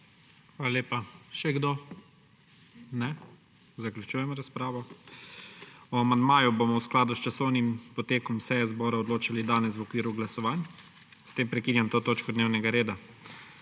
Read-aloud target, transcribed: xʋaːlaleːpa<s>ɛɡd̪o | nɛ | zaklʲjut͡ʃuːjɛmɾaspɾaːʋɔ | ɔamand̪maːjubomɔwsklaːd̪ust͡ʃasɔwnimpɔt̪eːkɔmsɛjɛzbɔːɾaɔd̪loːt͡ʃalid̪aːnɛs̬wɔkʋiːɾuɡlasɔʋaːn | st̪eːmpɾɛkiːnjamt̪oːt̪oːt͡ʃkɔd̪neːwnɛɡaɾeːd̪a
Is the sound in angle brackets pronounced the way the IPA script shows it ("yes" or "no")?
no